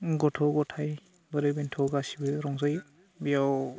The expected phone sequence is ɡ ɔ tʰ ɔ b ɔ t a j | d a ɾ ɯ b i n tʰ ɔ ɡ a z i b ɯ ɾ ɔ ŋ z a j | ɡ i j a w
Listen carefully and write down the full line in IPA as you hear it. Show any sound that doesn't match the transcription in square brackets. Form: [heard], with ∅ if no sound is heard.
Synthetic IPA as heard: ɡ ɔ tʰ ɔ [ɡ] ɔ [tʰ] a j | [b] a ɾ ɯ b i n tʰ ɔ ɡ a [s] i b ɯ ɾ ɔ ŋ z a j | [b] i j a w